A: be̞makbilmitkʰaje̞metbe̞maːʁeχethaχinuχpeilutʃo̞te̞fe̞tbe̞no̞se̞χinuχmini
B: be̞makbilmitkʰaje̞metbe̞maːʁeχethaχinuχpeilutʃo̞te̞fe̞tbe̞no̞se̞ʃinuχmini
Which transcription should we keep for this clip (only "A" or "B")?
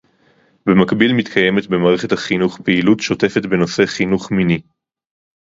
A